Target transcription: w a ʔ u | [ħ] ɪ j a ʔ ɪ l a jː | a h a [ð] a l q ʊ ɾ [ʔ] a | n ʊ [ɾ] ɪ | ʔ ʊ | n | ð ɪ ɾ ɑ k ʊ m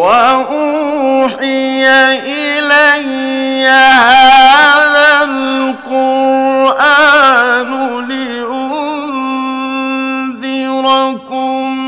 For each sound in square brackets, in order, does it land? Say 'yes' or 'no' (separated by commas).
yes, yes, yes, no